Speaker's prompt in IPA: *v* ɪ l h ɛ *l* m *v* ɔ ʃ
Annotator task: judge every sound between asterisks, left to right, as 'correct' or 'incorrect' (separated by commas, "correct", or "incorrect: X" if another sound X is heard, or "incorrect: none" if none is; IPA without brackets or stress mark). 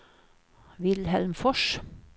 incorrect: ʋ, correct, incorrect: f